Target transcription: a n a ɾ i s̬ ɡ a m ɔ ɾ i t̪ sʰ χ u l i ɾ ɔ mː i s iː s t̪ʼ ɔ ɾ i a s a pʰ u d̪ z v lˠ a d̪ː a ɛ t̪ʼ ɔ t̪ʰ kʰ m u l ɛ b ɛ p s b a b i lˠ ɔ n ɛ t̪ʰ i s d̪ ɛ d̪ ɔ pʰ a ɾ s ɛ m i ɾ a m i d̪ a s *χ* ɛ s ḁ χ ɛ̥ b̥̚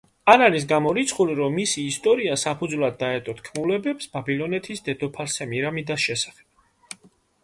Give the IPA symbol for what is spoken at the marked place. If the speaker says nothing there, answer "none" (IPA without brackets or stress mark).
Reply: ʃ